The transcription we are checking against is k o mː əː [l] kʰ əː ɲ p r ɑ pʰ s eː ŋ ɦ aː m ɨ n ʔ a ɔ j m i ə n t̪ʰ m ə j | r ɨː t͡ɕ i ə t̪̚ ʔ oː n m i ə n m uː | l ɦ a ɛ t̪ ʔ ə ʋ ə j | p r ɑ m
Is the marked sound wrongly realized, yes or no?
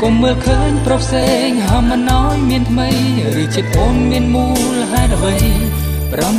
no